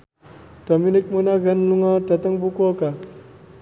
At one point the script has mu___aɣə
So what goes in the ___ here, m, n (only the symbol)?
n